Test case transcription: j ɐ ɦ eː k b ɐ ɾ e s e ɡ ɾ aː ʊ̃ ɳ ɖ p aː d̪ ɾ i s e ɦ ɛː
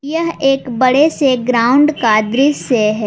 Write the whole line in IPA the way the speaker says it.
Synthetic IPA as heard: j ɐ ɦ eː k b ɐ ɽ e s e ɡ ɾ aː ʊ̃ ɳ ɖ k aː d̪ ɾ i s e ɦ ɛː